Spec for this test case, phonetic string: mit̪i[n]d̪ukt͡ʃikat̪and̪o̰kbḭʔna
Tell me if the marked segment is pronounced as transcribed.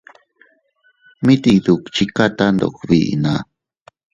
no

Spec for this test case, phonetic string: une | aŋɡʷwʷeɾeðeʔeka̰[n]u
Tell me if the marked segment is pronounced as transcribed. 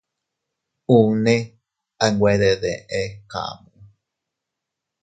no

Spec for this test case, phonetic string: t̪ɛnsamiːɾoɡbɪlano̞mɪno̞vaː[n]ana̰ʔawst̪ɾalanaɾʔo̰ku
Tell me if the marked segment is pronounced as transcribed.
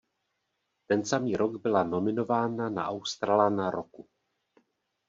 yes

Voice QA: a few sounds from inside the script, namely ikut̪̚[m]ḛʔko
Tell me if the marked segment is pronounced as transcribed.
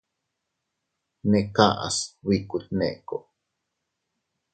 no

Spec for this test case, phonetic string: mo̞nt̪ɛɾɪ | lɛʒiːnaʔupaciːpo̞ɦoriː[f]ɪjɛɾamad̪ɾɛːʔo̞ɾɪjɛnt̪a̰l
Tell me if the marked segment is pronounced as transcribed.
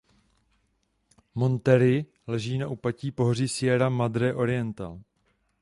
no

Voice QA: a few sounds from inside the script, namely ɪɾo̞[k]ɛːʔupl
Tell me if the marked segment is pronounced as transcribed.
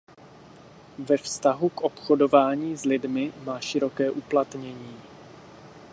yes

